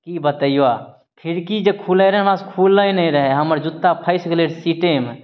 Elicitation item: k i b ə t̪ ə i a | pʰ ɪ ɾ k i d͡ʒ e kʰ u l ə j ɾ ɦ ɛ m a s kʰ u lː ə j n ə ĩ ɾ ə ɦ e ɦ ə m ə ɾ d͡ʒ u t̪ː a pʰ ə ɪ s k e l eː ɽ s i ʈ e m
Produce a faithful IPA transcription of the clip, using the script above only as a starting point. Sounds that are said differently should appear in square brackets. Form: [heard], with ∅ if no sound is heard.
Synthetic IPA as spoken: k i b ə t̪ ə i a | pʰ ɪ ɾ k i d͡ʒ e kʰ u l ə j ɾ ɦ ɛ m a s kʰ u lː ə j n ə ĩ ɾ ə ɦ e ɦ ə m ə ɾ d͡ʒ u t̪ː a pʰ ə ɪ s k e l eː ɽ s i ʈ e m